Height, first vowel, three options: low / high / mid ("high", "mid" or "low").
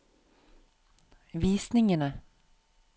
high